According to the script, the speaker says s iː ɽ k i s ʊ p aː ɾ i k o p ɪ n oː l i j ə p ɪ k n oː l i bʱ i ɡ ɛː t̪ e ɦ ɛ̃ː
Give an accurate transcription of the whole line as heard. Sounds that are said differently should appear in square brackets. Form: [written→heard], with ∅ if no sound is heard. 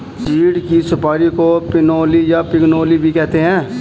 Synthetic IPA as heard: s iː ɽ k i s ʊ p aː ɾ i k o p ɪ n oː l i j [ə→a] p ɪ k n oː l i bʱ i [ɡ→k] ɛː t̪ e ɦ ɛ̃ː

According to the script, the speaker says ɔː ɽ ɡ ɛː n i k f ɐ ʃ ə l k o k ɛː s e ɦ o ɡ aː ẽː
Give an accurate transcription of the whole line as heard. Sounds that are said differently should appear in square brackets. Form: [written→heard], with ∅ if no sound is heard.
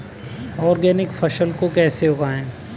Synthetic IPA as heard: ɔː [ɽ→ɾ] ɡ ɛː n [i→ɪ] k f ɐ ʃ ə l k o k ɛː s e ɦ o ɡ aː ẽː

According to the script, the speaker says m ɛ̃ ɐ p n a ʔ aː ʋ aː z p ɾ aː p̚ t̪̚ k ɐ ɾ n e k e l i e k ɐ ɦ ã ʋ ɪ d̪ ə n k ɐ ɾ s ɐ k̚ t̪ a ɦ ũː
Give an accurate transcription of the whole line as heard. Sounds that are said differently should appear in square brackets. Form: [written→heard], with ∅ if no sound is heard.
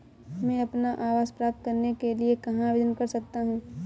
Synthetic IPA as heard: m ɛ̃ ɐ p n a ʔ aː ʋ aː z p ɾ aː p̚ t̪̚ k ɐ ɾ n e k e l i e k ɐ ɦ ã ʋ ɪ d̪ ə n k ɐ ɾ s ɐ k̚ t̪ a ɦ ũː

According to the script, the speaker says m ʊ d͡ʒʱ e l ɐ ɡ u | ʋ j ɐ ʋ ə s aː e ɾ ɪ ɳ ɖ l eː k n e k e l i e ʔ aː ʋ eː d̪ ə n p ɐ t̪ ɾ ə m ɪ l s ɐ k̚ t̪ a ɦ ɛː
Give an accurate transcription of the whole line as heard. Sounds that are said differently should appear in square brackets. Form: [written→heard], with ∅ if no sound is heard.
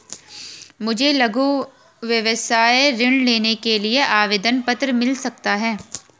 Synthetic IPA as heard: m ʊ d͡ʒʱ e l ɐ ɡ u | ʋ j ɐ ʋ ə s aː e ɾ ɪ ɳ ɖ l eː [k→∅] n e k e l i e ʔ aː ʋ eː d̪ ə n p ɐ t̪ ɾ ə m ɪ l s ɐ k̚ t̪ a ɦ ɛː

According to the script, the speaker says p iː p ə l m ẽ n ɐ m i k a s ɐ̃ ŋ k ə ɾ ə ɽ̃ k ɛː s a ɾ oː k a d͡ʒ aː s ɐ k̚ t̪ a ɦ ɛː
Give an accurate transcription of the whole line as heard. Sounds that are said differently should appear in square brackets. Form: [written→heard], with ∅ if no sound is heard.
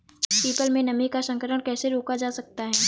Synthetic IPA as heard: p iː p ə l m ẽ n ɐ m i k a s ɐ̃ ŋ k ə ɾ ə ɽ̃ k ɛː s [a→e] ɾ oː k a d͡ʒ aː s ɐ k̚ t̪ a ɦ ɛː

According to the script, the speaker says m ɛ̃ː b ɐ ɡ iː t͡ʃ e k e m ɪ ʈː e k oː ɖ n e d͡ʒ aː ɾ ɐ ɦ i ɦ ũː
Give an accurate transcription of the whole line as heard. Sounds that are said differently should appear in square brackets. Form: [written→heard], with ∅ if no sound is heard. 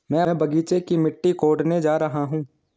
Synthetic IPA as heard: m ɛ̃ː b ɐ ɡ iː t͡ʃ e k [e→i] m ɪ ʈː [e→i] k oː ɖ n e d͡ʒ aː ɾ ɐ ɦ [i→a] ɦ ũː

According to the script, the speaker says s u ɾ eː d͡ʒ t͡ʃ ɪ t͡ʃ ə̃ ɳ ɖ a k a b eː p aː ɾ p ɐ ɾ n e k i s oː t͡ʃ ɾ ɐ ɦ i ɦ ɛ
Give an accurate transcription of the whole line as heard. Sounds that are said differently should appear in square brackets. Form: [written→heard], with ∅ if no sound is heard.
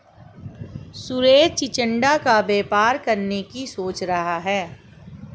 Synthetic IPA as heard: s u ɾ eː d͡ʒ t͡ʃ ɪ t͡ʃ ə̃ ɳ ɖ a k a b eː p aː ɾ [p→k] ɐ ɾ n e k i s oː t͡ʃ ɾ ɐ ɦ [i→a] ɦ [ɛ→ɛː]

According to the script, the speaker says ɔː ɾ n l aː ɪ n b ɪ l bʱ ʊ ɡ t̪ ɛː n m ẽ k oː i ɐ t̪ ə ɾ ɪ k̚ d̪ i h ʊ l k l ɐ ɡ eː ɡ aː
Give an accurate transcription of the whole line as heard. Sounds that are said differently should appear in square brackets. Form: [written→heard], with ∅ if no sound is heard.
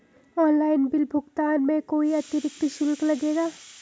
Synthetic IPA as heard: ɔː [ɾ→∅] n l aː ɪ n b ɪ l bʱ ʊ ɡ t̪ [ɛː→aː] n m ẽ k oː i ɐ t̪ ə ɾ ɪ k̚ [d̪→t̪] i [h→ʃ] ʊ l k l ɐ ɡ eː ɡ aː

